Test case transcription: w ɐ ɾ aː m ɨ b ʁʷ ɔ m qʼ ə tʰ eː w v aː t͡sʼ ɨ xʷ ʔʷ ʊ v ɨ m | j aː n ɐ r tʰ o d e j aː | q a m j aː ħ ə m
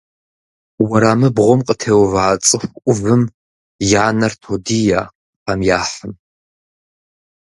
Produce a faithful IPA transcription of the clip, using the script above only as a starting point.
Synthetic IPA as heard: w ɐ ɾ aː m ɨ b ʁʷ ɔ m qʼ ə tʰ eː w v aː t͡sʼ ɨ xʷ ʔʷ ʊ v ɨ m | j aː n ɐ r tʰ o d i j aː | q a m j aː ħ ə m